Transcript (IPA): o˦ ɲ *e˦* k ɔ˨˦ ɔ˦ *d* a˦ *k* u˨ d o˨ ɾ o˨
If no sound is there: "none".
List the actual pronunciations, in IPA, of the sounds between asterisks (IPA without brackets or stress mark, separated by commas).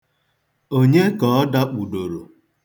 e˦, d, k͡p